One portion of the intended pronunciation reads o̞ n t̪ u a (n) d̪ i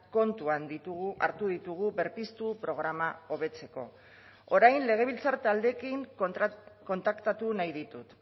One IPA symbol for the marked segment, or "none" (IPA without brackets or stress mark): n